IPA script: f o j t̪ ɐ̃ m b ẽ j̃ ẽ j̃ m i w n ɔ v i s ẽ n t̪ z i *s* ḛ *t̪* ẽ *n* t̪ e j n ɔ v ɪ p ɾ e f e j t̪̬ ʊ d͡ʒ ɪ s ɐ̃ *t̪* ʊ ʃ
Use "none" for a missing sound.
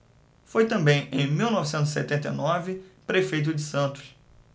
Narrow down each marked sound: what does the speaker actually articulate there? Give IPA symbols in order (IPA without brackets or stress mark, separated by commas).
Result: s, t̪, n, t̪